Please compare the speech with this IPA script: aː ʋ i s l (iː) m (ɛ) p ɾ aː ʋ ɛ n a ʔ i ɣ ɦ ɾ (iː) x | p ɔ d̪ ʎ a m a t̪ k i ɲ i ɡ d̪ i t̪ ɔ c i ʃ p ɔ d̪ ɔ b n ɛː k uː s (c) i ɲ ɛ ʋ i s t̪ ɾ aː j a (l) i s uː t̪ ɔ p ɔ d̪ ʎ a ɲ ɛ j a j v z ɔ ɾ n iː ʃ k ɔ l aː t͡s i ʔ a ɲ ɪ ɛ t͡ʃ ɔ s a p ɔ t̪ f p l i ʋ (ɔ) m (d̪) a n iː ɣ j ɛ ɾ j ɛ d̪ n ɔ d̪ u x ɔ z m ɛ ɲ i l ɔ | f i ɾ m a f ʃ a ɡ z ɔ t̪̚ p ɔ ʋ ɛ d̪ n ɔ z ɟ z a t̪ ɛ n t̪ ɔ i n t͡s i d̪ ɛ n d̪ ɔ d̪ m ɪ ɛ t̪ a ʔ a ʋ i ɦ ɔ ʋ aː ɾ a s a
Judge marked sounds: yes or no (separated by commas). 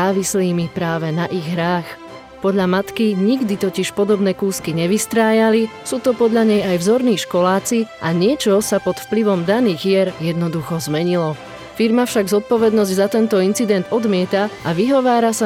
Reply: yes, no, no, no, yes, yes, yes